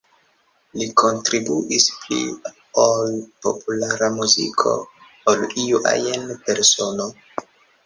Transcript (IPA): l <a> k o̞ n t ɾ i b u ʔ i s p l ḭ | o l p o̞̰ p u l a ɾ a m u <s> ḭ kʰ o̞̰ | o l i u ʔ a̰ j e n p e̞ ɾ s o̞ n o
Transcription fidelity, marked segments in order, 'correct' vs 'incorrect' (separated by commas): incorrect, incorrect